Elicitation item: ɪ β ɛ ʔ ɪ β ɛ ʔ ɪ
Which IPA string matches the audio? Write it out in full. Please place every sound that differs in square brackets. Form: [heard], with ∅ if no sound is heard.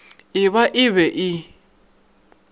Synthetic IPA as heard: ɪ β [a] ʔ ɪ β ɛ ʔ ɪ